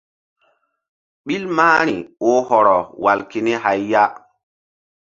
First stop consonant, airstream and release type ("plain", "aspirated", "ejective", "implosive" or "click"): implosive